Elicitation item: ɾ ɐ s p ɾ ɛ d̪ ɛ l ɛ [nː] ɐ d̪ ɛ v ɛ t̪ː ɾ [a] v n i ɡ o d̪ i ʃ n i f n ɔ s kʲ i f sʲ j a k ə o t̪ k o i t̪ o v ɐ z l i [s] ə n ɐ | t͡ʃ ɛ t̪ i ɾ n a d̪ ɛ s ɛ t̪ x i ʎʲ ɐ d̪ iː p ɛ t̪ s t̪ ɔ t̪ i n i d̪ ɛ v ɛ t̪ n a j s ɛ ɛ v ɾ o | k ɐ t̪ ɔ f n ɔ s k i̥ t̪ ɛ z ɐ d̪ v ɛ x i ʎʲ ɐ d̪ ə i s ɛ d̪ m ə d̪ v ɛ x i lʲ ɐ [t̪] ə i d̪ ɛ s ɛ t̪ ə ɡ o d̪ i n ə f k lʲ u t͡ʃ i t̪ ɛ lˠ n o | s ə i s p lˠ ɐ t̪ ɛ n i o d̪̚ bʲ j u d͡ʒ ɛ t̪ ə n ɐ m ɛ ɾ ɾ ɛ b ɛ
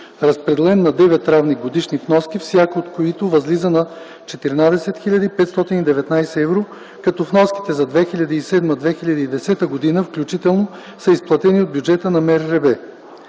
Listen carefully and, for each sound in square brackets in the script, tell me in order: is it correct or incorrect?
correct, correct, incorrect: z, incorrect: d̪

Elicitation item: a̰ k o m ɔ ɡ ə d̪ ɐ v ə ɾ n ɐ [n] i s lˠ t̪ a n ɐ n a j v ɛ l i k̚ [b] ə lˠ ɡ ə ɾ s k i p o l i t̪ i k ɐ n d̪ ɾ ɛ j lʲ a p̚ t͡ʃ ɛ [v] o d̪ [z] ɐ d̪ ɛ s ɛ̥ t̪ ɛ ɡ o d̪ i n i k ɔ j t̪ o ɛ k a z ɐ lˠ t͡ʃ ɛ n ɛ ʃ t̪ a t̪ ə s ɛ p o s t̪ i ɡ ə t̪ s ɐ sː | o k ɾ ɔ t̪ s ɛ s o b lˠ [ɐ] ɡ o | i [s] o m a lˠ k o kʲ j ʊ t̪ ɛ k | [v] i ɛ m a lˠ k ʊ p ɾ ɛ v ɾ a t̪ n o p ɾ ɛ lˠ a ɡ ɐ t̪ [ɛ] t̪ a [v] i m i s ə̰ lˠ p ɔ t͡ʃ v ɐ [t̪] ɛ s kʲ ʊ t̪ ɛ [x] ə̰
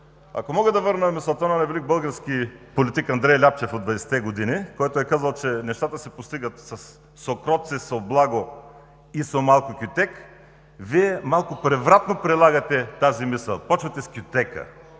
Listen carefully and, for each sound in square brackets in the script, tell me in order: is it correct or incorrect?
incorrect: m, correct, incorrect: f, incorrect: v, incorrect: a, correct, correct, correct, incorrect: z, correct, incorrect: k

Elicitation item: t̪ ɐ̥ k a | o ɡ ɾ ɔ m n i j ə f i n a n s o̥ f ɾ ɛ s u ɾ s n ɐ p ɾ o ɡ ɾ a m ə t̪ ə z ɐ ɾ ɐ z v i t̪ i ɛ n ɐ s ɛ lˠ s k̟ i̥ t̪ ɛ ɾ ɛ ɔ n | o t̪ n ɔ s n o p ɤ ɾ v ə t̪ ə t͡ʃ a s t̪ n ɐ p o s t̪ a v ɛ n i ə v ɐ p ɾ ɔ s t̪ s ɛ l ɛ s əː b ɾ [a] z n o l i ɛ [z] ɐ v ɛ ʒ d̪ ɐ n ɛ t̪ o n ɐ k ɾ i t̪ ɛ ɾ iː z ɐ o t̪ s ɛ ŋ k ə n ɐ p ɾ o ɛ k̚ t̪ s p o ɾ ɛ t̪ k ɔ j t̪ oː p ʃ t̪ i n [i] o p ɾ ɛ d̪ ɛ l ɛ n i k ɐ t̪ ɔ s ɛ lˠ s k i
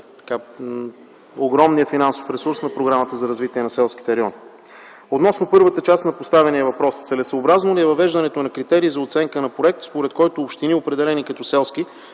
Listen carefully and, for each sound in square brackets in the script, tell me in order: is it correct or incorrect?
correct, incorrect: v, correct

